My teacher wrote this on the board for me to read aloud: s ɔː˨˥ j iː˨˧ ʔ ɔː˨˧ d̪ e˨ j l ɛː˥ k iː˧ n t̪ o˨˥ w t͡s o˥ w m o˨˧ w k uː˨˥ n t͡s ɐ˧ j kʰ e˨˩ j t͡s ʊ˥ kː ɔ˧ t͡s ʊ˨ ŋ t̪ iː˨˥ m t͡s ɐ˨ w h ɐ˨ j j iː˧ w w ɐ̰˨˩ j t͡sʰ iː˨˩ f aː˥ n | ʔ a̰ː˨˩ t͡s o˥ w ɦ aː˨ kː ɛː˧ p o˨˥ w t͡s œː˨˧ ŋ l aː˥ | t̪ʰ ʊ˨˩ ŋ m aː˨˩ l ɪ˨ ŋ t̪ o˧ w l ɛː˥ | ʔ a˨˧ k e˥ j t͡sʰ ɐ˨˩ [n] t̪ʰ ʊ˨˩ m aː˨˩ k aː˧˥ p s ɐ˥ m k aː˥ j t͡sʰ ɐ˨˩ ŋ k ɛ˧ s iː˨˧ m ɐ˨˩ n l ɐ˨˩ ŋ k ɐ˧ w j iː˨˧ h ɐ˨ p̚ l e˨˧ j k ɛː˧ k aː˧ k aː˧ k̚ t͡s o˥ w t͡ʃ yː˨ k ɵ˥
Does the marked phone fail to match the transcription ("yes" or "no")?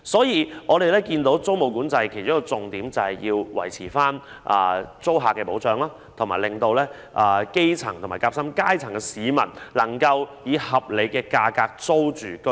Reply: yes